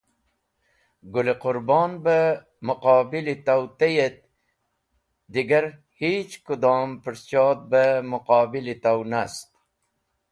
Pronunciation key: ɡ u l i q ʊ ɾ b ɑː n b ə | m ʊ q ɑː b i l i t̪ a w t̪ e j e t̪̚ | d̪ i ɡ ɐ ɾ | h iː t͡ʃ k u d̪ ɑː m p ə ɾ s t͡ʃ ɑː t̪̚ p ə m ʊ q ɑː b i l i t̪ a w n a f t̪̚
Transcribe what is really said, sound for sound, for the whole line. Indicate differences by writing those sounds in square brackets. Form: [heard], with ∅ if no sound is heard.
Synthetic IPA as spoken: ɡ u l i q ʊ ɾ b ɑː n b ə | m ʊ q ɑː b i l i t̪ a w t̪ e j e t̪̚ | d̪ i ɡ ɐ ɾ | h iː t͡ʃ k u d̪ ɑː m p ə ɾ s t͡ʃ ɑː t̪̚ [b] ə m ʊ q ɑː b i l i t̪ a w n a [s] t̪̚